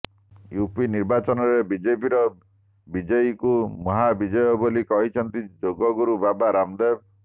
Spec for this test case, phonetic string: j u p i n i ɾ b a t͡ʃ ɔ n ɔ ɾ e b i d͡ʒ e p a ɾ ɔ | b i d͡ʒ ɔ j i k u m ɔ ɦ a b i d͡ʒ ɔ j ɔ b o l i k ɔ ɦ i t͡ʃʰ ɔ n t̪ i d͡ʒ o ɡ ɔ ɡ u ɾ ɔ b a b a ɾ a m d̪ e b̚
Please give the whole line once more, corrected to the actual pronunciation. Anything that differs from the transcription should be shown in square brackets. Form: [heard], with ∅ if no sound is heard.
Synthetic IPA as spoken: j u p i n i ɾ b a t͡ʃ ɔ n ɔ ɾ e b i d͡ʒ e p [i] ɾ ɔ | b i d͡ʒ ɔ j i k u m ɔ ɦ a b i d͡ʒ ɔ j ɔ b o l i k ɔ ɦ i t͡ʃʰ ɔ n t̪ i d͡ʒ o ɡ ɔ ɡ u ɾ [u] b a b a ɾ a m d̪ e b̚